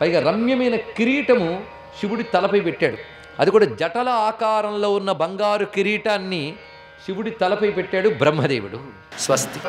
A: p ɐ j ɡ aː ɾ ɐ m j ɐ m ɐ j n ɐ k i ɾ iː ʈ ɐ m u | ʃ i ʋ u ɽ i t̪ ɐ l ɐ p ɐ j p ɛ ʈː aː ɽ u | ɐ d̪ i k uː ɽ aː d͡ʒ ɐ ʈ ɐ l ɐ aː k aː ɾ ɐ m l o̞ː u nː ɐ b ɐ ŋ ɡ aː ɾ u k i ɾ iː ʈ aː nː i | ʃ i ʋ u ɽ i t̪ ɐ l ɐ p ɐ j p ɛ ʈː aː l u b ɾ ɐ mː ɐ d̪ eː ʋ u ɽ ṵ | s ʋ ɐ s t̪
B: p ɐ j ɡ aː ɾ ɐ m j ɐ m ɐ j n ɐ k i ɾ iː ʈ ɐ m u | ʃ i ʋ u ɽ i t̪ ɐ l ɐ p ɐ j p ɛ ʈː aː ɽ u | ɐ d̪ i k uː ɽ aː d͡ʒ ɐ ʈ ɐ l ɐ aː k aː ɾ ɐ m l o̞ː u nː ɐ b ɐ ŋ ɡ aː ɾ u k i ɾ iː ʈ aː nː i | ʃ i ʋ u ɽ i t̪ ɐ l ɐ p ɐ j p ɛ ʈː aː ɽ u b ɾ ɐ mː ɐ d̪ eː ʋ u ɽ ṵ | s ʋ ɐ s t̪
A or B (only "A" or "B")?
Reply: B